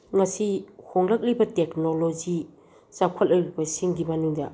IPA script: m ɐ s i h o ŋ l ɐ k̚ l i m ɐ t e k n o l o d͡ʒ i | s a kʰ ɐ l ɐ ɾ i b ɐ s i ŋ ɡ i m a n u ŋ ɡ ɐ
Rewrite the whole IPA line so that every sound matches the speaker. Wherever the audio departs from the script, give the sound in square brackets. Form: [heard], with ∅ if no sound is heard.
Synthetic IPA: [ŋ] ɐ s i h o ŋ l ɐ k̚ l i [b] ɐ t e k n o l o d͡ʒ i | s a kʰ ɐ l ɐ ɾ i b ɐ s i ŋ ɡ i m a n u ŋ [d] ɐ